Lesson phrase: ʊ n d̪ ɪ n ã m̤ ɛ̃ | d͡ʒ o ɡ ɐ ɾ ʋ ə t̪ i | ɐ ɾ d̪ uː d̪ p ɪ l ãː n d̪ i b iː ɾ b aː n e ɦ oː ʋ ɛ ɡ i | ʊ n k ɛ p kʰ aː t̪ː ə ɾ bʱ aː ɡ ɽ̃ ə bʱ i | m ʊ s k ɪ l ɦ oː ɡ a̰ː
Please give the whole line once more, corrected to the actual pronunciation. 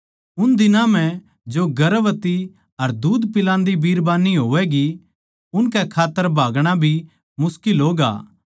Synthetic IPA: ʊ n d̪ ɪ n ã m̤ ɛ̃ | d͡ʒ o ɡ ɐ ɾ ʋ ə t̪ i | ɐ ɾ d̪ uː d̪ p ɪ l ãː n d̪ i b iː ɾ b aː n i ɦ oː ʋ ɛ ɡ i | ʊ n k ɛ kʰ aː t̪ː ə ɾ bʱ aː ɡ ɽ̃ a bʱ i | m ʊ s k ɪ l ɦ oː ɡ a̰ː